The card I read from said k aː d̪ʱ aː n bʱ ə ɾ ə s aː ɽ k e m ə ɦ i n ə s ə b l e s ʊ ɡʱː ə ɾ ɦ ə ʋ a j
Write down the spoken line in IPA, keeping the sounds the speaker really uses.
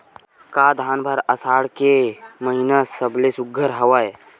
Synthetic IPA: k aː d̪ʱ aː n bʱ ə ɾ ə s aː ɽ k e m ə ɦ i n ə s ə b l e s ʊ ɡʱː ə ɾ ɦ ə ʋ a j